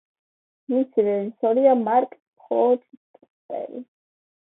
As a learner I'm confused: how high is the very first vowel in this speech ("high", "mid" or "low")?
high